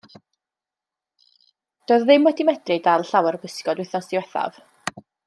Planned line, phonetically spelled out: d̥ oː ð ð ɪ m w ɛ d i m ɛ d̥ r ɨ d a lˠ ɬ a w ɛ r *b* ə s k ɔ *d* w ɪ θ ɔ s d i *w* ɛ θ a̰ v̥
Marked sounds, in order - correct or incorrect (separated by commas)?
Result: correct, correct, correct